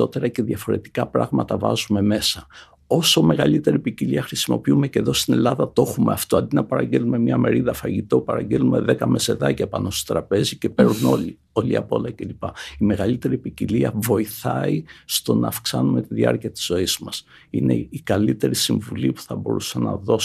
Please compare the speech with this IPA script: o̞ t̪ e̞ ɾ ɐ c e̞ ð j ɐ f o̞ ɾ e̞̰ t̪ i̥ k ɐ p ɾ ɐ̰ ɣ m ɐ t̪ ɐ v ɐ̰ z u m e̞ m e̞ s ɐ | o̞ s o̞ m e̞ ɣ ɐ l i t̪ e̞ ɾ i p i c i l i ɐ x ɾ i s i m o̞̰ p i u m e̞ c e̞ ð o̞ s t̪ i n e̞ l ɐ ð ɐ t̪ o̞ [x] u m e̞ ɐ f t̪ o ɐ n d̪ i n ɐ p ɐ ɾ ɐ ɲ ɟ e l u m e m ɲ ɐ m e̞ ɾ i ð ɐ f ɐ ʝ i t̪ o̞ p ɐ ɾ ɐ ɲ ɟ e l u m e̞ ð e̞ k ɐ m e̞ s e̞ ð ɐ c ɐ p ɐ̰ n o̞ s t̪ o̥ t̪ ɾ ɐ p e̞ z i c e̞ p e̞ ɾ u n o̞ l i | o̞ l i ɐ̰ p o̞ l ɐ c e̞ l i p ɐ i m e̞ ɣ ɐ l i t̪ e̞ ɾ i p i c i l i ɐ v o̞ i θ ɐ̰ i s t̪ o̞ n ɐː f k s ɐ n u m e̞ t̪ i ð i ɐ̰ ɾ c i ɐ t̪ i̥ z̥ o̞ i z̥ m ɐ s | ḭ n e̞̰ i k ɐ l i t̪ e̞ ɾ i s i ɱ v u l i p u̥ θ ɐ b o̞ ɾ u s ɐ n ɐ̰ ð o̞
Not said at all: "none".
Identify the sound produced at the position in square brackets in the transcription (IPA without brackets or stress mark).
x